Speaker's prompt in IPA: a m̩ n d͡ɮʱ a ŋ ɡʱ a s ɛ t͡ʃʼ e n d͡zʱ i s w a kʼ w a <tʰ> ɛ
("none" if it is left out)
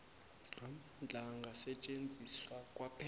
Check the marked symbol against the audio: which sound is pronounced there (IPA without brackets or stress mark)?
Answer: pʰ